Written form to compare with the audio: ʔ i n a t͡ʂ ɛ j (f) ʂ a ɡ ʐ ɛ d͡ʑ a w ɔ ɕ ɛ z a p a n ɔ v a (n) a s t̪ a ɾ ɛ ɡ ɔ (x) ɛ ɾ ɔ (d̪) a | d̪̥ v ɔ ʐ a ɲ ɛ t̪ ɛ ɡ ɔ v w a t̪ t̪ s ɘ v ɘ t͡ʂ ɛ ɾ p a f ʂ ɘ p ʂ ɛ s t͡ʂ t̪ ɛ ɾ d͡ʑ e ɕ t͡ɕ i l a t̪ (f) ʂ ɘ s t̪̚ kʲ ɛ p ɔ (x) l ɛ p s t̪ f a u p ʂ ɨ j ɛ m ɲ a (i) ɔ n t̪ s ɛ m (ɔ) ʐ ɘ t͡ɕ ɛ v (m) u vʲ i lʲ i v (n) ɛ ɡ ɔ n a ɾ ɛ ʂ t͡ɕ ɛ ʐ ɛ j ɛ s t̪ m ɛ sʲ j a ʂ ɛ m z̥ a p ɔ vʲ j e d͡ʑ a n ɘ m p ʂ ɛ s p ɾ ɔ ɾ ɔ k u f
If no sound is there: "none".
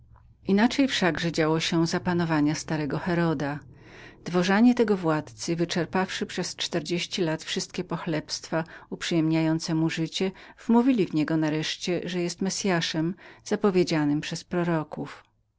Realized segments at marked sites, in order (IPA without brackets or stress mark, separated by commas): f, ɲ, x, d̪, f, x, j, u, m, ɲ